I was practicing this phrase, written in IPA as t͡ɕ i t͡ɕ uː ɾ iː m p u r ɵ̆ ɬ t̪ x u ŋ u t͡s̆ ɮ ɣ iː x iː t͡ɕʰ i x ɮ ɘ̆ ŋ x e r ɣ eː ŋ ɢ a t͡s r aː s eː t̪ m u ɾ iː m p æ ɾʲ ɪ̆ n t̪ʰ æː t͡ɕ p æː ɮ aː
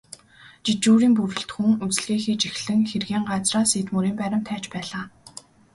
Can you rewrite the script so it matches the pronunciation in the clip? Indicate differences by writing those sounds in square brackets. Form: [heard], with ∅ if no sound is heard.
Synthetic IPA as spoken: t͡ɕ i t͡ɕ uː ɾ iː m p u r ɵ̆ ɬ t̪ x u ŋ u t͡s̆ ɮ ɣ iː x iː [t͡ɕ] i x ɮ ɘ̆ ŋ x e r ɣ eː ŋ ɢ a t͡s r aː s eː t̪ m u ɾ iː m p æ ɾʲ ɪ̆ [m] t̪ʰ æː t͡ɕ p æː ɮ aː